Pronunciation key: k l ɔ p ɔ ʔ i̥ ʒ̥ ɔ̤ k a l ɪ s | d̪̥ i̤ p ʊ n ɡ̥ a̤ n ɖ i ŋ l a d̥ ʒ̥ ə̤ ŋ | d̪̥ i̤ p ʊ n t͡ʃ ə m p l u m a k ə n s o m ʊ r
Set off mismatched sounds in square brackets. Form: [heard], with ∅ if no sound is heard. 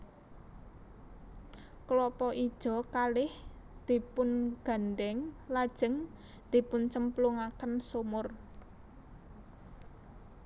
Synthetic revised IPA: k l ɔ p ɔ ʔ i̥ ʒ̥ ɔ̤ k a l ɪ [h] | d̪̥ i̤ p ʊ n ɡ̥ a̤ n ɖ [ɛ] ŋ l a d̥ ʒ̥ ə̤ ŋ | d̪̥ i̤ p ʊ n t͡ʃ ə m p l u [ŋ] a k ə n s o m ʊ r